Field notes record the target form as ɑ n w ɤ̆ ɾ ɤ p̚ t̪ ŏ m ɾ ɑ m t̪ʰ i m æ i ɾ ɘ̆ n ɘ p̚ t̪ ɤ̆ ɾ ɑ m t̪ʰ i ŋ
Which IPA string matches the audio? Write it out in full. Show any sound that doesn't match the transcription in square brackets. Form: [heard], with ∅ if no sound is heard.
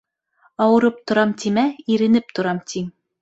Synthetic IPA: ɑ [∅] w ɤ̆ ɾ ɤ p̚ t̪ ŏ [∅] ɾ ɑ m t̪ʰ i m æ i ɾ ɘ̆ n ɘ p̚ t̪ [ŏ] ɾ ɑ m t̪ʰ i ŋ

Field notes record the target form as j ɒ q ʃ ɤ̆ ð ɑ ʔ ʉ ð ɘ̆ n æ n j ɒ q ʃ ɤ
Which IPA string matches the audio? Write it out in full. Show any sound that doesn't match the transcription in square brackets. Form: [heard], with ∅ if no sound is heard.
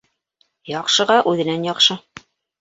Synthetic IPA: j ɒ q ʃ ɤ̆ [ʁ] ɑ ʔ ʉ ð ɘ̆ n æ n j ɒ q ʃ ɤ

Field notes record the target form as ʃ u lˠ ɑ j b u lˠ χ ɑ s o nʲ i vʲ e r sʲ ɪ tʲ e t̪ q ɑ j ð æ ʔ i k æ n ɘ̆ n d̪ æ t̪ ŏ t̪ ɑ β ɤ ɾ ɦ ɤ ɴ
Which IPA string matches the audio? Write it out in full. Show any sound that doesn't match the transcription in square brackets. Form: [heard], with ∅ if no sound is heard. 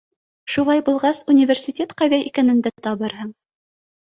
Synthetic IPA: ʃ u lˠ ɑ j b u lˠ [ʁ] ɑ s [u] nʲ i vʲ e r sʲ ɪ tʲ e t̪ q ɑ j ð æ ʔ i k æ n ɘ̆ n d̪ æ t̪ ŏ t̪ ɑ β ɤ ɾ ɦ ɤ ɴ

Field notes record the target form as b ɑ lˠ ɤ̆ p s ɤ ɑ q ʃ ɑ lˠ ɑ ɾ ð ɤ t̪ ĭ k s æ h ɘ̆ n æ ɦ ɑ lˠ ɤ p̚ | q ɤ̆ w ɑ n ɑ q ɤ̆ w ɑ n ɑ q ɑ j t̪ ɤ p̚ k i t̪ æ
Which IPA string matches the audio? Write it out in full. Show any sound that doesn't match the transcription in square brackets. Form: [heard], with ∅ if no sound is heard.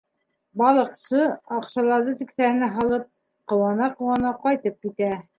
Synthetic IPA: b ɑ lˠ ɤ̆ [q] s ɤ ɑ q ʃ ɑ lˠ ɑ ɾ ð ɤ t̪ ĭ k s æ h ɘ̆ n æ ɦ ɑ lˠ ɤ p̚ | q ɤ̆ w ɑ n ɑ q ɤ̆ w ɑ n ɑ q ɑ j t̪ ɤ p̚ k i t̪ æ

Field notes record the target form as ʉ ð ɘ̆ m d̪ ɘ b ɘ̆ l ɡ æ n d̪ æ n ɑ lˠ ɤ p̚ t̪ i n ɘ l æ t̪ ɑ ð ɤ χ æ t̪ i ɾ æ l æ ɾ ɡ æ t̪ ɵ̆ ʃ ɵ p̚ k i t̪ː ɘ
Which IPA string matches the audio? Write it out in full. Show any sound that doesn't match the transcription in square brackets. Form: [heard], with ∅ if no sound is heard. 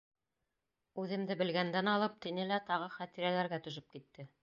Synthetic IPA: ʉ ð ɘ̆ m d̪ ɘ b ɘ̆ l ɡ æ n d̪ æ n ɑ lˠ ɤ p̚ t̪ i n ɘ l æ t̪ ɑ [ʁ] ɤ χ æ t̪ i ɾ æ l æ ɾ ɡ æ t̪ ɵ̆ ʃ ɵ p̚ k i t̪ː ɘ

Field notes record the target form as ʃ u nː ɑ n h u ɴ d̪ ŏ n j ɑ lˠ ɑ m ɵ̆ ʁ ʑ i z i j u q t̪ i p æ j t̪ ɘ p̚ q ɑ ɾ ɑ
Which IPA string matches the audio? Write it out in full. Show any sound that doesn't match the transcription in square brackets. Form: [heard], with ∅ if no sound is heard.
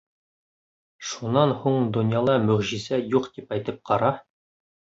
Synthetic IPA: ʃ u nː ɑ n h u ɴ d̪ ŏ n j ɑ lˠ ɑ m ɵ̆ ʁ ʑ i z [æ] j u q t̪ i p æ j t̪ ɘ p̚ q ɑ ɾ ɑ

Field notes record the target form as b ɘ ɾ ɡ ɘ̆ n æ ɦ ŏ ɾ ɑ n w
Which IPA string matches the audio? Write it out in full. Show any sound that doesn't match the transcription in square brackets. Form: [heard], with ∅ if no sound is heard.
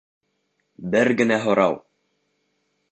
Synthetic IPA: b ɘ ɾ ɡ ɘ̆ n æ ɦ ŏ ɾ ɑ [∅] w

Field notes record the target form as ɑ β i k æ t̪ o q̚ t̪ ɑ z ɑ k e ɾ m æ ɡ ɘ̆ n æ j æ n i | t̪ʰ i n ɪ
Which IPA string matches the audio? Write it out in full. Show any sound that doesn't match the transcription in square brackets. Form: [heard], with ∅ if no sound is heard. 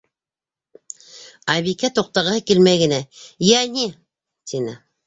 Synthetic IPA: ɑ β i k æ t̪ o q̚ t̪ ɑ [ʁ] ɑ k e [l] m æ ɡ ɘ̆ n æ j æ n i | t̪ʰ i n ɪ

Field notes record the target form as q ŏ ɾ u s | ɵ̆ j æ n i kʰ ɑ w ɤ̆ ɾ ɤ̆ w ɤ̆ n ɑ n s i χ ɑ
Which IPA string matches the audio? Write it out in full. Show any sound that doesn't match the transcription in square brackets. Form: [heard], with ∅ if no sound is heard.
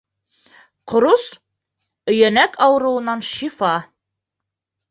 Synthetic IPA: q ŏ ɾ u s | ɵ̆ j æ n [æ] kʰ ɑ w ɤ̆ ɾ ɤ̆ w ɤ̆ n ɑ n [ʃ] i [f] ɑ

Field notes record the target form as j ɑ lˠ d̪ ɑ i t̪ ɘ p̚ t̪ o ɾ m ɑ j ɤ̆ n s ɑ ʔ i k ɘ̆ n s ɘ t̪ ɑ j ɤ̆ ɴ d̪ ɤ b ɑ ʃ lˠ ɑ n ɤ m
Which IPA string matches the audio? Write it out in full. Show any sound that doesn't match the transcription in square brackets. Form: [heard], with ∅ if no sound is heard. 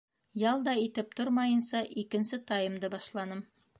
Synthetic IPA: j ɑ lˠ d̪ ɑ i t̪ ɘ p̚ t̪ o ɾ m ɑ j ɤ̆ n s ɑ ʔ i k ɘ̆ n s ɘ t̪ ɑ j ɤ̆ [m] d̪ ɤ b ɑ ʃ lˠ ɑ n ɤ m

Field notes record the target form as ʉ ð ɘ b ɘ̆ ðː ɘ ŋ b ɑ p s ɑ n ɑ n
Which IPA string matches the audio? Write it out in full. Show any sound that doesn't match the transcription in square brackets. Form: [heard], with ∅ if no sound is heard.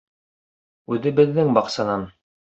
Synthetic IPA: ʉ ð ɘ b ɘ̆ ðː ɘ ŋ b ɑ [q] s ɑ n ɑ n

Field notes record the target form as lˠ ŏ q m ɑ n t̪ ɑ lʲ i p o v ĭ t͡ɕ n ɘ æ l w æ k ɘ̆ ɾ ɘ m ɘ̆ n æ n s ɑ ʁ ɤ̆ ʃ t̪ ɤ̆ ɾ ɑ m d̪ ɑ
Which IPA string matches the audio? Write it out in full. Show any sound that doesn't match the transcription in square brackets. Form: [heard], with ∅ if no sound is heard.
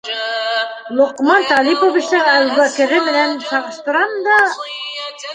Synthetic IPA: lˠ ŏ q m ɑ n t̪ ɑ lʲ i p o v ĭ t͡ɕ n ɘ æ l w æ k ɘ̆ ɾ ɘ m ɘ̆ n æ n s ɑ ʁ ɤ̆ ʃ t̪ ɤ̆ ɾ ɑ m d̪ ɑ

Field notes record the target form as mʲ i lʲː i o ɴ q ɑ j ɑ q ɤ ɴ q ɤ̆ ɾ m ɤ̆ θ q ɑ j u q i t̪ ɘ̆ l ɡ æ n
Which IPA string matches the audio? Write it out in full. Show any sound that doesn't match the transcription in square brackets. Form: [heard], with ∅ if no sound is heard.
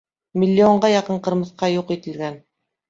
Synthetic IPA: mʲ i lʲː i o ɴ [ɢ] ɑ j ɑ q ɤ ɴ q ɤ̆ ɾ m ɤ̆ θ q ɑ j u q i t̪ ɘ̆ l ɡ æ n

